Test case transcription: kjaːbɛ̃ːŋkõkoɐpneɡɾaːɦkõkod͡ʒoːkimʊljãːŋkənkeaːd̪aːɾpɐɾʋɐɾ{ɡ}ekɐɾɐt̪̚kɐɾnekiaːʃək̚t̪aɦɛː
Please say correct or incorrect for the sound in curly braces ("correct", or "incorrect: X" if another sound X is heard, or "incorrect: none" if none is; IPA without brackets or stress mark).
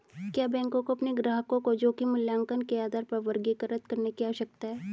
correct